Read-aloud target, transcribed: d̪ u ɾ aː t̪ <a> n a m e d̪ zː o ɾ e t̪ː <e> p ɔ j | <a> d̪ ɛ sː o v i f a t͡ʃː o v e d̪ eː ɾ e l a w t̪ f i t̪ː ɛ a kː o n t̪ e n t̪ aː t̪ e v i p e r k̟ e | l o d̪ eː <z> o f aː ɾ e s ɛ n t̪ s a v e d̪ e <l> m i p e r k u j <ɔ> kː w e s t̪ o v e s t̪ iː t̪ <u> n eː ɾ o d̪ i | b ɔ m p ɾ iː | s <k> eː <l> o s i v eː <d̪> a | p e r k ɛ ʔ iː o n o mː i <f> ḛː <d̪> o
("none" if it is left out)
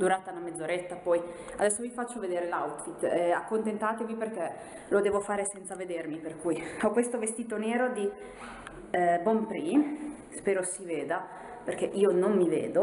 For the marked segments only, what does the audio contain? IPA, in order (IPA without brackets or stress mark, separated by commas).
a, a, a, v, r, ɔ, o, p, ɾ, d̪, v, d̪